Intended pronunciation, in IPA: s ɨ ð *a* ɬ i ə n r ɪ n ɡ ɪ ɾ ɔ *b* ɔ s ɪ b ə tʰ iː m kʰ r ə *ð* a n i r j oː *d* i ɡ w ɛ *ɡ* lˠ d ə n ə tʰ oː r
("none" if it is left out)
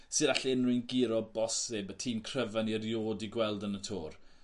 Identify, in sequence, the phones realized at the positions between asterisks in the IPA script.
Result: a, b, v, d, none

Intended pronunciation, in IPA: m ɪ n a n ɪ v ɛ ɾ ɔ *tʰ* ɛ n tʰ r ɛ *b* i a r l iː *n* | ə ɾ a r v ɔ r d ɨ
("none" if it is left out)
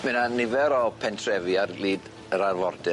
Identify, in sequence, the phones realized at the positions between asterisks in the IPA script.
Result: pʰ, v, d

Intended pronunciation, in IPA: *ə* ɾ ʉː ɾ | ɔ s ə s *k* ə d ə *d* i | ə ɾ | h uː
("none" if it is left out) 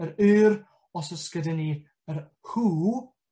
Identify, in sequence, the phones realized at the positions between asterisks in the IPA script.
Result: ə, k, n

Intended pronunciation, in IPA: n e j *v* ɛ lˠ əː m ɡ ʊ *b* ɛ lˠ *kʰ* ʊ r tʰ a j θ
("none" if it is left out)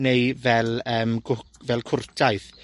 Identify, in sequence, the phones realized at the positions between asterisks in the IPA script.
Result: v, v, kʰ

